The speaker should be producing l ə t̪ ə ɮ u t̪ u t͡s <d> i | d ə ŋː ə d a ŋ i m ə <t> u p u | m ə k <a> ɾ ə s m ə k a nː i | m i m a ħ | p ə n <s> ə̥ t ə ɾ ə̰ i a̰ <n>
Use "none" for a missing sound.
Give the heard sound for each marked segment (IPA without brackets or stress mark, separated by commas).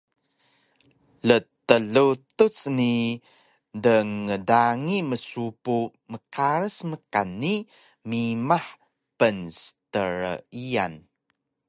n, s, a, s, n